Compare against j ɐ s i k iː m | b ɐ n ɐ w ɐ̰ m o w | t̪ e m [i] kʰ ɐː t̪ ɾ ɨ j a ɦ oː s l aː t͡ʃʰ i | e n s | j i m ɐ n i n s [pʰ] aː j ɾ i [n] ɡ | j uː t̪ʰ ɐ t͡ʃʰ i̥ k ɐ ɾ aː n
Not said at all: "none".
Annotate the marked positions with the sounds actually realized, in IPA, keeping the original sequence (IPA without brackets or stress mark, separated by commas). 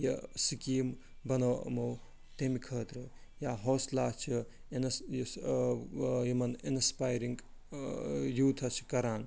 i, p, ŋ